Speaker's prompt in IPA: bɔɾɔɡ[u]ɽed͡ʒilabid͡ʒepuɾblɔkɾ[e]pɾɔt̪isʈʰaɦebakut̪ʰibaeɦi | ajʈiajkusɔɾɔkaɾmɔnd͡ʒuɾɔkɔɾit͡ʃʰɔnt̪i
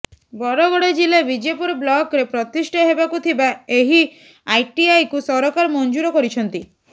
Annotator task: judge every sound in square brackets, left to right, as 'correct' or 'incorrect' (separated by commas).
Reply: incorrect, correct